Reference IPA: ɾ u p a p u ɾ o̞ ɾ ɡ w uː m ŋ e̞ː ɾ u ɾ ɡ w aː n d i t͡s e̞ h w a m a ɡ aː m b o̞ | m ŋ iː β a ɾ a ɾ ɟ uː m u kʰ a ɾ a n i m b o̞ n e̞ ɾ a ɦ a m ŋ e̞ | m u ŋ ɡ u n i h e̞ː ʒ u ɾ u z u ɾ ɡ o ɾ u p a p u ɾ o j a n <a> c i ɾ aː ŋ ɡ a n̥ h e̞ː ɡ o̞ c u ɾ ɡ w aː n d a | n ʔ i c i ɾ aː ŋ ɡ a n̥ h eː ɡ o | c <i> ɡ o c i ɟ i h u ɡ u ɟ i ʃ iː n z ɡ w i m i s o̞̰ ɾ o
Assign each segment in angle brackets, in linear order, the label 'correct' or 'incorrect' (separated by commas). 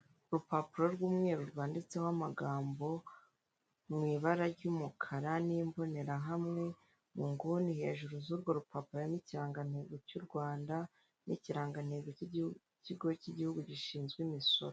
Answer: incorrect, correct